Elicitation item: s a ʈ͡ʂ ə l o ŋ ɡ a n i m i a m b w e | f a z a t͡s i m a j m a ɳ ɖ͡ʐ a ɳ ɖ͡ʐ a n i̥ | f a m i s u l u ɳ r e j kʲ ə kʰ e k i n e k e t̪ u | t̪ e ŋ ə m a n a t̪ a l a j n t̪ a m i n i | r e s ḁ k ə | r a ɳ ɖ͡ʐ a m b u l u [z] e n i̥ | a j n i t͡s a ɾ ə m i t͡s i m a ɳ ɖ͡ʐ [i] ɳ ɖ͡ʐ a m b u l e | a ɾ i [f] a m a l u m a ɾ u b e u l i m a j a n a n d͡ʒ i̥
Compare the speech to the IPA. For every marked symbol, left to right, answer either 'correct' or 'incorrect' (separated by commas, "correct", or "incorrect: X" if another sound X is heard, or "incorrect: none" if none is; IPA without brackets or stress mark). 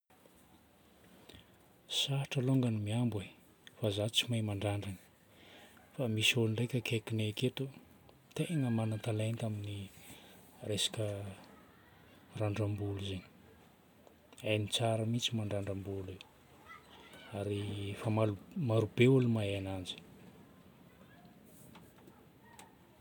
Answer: correct, incorrect: a, correct